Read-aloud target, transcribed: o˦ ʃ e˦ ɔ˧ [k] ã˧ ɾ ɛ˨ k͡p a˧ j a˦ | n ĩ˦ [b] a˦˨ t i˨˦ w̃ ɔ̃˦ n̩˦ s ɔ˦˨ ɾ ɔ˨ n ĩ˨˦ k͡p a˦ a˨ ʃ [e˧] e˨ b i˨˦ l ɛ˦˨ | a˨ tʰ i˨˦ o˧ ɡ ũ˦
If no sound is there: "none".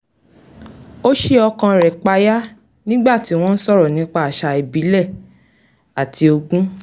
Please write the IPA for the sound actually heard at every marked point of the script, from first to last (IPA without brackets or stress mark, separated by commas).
k, ɡ͡b, a˧